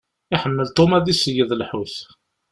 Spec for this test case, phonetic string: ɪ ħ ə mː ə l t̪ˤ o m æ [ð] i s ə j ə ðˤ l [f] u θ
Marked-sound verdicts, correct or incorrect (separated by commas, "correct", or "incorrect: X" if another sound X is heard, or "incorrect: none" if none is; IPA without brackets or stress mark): correct, incorrect: ħ